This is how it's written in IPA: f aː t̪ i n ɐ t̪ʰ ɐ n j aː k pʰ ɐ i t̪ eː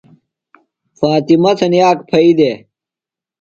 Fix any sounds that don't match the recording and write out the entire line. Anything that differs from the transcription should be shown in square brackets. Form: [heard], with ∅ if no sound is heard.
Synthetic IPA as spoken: f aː t̪ i [m] ɐ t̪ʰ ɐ n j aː k pʰ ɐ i [d̪] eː